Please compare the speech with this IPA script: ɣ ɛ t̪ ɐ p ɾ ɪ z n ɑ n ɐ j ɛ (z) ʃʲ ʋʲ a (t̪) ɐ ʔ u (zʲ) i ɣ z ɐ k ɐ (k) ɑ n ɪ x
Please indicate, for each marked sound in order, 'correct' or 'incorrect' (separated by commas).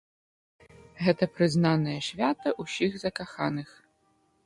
incorrect, correct, incorrect, incorrect